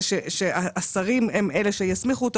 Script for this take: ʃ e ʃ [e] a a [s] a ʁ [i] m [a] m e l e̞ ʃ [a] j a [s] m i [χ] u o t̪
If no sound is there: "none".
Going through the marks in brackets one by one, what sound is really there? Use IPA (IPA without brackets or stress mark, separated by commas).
e, s, i, e, e, s, χ